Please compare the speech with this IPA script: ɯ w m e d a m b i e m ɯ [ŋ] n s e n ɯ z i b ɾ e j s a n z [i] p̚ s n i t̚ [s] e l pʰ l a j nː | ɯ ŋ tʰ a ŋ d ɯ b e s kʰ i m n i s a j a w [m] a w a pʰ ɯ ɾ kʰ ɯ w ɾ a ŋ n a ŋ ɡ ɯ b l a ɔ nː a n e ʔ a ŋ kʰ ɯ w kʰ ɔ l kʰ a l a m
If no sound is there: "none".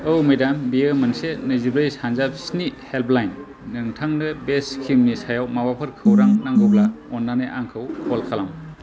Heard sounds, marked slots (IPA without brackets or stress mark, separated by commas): none, a, h, m